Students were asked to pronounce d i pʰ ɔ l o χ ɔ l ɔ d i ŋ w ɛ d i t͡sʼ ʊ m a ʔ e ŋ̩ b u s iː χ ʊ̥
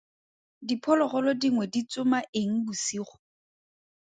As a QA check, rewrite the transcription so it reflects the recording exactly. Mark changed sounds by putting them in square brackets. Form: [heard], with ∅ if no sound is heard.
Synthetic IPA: d i pʰ ɔ l [ɔ] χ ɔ l ɔ d i ŋ w ɛ d i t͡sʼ ʊ m a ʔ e ŋ̩ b u s iː χ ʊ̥